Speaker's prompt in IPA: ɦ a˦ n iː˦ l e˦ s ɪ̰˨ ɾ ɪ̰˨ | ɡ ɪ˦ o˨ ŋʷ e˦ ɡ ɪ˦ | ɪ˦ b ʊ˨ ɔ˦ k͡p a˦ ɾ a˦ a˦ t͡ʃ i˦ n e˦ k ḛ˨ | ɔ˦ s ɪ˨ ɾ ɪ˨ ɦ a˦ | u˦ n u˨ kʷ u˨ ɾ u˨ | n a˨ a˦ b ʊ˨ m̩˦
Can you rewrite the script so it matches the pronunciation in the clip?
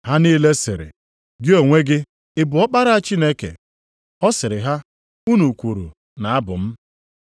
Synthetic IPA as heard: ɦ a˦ n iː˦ l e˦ s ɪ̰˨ ɾ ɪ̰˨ | ɡ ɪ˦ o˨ ŋʷ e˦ ɡ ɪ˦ | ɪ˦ b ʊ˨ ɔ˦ k͡p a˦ ɾ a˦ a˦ t͡ʃ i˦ n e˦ k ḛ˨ | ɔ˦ s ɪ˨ ɾ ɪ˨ ɦ a˦ | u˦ n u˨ kʷ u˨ ɾ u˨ | n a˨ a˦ b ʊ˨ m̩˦

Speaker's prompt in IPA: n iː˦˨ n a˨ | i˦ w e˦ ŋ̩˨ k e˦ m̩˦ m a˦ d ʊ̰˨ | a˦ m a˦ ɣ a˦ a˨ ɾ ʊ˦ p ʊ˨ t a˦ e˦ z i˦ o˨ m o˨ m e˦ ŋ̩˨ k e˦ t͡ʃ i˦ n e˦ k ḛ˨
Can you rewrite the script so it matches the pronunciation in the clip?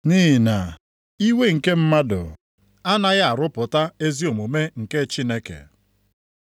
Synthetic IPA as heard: n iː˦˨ n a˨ | i˦ w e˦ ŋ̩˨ k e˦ m̩˦ m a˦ d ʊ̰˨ | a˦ n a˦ ɣ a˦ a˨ ɾ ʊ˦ p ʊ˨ t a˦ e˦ z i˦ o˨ m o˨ m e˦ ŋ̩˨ k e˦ t͡ʃ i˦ n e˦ k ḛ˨

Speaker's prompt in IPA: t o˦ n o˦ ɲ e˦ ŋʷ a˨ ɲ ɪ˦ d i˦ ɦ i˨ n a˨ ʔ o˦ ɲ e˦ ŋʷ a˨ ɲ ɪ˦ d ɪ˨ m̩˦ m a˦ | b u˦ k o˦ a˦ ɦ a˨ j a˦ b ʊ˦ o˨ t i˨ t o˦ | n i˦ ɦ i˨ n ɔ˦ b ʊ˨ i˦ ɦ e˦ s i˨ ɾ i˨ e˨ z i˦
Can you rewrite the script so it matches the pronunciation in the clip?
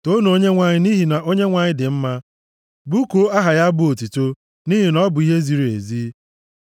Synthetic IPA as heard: t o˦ n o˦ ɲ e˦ ŋʷ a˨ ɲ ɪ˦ n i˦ ɦ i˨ n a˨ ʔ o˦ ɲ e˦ ŋʷ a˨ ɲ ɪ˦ d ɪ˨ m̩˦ m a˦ | b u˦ k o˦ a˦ ɦ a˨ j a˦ b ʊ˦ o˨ t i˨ t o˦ | n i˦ ɦ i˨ n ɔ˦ b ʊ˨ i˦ ɦ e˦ z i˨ ɾ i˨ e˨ z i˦

